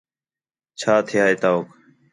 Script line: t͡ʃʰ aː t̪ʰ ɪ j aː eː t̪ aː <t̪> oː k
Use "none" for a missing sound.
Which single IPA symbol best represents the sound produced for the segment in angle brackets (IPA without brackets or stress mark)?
none